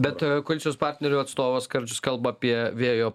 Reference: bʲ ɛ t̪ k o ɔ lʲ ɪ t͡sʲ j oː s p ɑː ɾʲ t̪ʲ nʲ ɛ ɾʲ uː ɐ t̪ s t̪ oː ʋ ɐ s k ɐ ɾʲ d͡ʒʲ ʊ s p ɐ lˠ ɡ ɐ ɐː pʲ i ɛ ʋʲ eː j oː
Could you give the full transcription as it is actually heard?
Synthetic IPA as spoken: bʲ ɛ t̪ k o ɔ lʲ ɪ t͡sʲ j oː s p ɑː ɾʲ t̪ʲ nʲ ɛ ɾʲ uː ɐ t̪ s t̪ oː ʋ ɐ s k ɐ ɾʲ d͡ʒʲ ʊ s k ɐ lˠ b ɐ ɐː pʲ i ɛ ʋʲ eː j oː